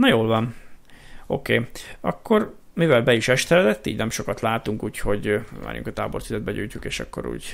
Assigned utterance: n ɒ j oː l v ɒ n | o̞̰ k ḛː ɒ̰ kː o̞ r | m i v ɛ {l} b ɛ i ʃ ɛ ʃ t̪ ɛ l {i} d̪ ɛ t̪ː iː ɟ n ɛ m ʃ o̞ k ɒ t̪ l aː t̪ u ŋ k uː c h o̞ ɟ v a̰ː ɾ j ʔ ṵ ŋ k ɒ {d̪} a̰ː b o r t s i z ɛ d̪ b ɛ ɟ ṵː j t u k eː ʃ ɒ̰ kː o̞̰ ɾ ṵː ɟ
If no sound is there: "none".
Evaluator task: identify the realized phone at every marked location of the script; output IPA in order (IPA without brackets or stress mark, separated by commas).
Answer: l, ɛ, t̪